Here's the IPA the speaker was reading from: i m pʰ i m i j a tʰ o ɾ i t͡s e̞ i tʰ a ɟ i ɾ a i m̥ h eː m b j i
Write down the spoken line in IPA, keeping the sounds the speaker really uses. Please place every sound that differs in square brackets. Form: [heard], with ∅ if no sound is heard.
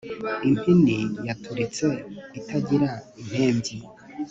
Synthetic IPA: i m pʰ i [n] i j a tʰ [u] ɾ i t͡s e̞ i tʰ a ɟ i ɾ a i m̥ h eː m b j i